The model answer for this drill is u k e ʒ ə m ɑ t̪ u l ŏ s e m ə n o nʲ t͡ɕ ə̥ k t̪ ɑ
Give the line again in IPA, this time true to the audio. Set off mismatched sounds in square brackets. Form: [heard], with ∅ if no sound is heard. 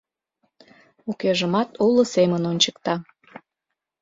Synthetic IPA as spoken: u k e ʒ ə m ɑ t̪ u l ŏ s e m ə n o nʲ t͡ɕ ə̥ k t̪ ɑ